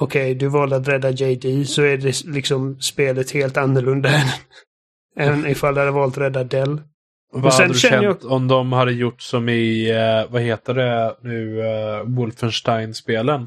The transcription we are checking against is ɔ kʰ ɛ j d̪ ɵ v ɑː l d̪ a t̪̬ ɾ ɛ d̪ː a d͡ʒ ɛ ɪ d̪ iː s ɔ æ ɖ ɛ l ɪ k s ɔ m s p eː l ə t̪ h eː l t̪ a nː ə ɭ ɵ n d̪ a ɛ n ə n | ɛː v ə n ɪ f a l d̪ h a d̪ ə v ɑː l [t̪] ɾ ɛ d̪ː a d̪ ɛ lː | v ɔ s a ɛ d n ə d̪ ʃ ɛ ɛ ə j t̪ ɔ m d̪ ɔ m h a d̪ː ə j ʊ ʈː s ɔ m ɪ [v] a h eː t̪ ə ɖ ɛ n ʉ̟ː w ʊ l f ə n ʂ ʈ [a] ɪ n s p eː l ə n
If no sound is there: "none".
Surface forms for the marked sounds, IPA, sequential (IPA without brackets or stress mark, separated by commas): t̪, v, a